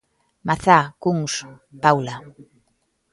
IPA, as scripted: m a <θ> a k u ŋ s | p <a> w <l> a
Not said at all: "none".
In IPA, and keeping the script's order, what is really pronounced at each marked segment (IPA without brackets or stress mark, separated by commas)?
θ, a, l